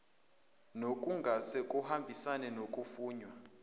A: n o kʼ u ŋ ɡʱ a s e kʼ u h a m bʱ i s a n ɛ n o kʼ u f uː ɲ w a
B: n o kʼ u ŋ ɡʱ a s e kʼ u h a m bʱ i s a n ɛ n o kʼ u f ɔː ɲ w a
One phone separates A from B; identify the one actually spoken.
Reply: A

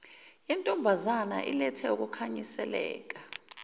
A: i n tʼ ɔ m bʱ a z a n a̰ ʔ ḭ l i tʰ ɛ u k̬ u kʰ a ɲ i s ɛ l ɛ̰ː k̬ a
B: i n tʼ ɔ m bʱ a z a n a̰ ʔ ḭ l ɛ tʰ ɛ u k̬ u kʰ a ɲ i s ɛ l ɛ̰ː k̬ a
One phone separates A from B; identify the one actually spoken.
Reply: B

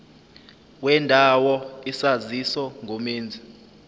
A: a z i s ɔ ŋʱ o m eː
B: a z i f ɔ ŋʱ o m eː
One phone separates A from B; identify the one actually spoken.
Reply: A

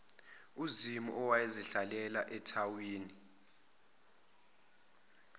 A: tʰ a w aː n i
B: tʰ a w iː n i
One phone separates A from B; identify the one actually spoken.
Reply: B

